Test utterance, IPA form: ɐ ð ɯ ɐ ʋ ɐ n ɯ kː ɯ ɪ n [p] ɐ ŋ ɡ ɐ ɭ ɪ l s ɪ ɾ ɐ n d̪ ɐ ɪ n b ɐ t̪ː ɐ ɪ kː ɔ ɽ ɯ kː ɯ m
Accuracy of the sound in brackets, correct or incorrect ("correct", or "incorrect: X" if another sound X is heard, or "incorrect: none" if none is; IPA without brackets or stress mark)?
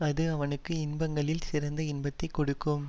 incorrect: b